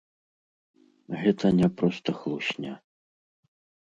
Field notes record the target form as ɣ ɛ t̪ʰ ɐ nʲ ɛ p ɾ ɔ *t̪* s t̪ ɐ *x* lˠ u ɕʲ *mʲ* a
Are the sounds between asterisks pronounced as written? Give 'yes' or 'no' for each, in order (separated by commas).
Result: no, yes, no